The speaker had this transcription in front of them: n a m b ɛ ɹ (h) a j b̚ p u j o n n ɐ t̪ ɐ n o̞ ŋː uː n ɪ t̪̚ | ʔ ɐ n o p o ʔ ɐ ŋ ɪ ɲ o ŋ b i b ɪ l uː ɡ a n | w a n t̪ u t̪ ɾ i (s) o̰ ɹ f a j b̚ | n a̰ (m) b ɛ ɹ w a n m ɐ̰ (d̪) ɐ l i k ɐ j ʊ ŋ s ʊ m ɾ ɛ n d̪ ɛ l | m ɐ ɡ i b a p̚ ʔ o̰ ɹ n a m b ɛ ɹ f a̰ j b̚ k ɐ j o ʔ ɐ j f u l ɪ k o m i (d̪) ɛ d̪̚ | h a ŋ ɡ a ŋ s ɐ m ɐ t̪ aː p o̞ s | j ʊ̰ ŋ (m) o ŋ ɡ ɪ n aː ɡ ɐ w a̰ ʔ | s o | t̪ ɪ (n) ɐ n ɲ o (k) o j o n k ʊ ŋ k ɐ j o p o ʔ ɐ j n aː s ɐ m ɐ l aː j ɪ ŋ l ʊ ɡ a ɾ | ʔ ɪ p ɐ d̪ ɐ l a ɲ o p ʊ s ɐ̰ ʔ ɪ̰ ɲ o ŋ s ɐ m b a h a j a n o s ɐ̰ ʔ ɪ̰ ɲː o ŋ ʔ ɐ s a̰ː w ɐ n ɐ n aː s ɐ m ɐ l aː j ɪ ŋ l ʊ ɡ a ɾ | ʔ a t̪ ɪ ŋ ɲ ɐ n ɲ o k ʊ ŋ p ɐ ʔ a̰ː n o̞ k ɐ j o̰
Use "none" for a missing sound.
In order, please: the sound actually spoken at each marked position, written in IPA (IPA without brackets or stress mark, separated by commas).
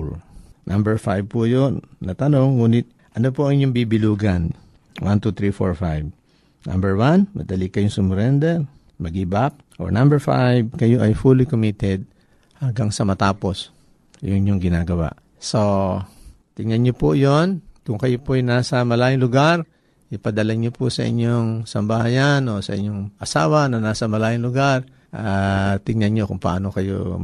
f, f, m, d̪, t̪, ɲ, ŋ, p